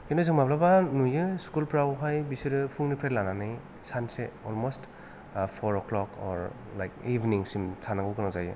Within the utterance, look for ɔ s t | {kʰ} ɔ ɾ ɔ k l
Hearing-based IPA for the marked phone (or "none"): pʰ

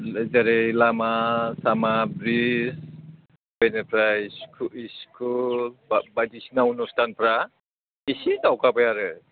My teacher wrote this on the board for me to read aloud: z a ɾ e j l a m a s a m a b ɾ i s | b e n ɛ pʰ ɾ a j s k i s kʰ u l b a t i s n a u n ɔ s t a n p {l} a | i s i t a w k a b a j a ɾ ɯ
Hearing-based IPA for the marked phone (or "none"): ɾ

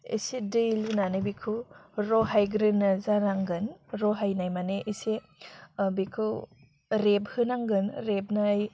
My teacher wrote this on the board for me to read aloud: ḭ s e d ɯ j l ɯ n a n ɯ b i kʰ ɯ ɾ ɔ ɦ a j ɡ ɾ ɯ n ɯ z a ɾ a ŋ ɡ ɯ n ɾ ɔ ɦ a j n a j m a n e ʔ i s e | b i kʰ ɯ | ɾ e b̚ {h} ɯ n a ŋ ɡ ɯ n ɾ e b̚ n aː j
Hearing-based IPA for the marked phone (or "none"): h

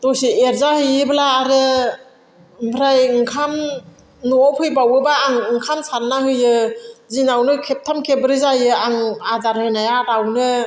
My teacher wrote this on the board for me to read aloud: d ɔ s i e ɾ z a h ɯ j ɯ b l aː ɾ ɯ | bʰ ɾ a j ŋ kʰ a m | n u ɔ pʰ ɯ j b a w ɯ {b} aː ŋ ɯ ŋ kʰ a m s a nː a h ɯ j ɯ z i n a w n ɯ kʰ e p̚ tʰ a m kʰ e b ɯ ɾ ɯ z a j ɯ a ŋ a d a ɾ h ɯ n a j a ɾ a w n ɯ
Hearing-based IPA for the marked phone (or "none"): b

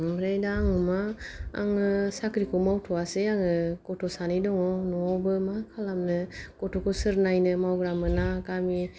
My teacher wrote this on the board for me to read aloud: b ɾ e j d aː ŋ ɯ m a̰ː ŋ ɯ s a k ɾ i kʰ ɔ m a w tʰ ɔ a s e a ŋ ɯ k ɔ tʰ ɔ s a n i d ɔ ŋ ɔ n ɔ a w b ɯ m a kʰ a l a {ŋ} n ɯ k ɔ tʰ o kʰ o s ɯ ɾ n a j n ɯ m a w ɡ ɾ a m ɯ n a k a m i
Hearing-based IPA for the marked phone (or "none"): m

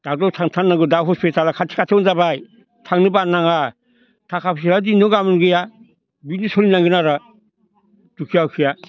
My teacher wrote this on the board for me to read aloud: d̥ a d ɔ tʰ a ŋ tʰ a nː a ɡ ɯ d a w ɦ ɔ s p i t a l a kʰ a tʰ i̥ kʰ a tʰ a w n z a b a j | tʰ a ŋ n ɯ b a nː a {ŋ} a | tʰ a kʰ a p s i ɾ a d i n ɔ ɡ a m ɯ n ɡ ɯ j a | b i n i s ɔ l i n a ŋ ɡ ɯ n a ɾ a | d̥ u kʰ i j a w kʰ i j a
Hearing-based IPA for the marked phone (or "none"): ŋ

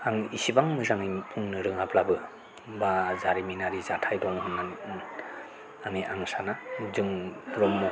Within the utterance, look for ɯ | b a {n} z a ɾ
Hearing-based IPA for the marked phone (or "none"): none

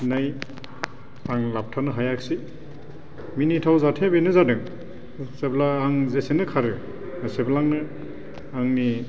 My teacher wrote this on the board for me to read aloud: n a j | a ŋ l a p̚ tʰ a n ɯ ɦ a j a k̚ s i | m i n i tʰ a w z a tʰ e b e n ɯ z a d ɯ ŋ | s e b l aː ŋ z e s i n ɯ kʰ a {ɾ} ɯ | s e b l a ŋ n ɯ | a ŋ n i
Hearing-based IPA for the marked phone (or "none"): ɾ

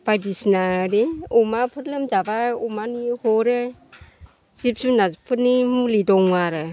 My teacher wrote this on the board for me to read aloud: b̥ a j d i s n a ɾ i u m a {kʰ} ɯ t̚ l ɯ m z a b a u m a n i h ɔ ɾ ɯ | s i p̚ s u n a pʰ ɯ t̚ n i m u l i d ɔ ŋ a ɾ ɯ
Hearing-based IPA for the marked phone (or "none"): pʰ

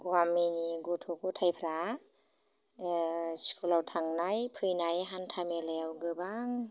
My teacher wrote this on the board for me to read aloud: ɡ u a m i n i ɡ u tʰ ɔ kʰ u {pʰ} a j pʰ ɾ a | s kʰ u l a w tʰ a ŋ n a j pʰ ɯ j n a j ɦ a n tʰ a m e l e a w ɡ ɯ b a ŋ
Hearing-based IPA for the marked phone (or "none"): tʰ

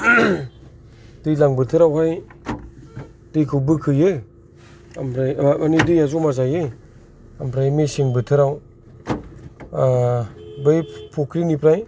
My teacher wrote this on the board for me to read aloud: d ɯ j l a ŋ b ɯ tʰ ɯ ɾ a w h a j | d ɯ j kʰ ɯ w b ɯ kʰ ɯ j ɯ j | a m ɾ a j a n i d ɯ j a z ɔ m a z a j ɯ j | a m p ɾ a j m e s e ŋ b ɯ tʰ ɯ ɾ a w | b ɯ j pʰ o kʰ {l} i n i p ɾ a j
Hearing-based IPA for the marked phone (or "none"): ɾ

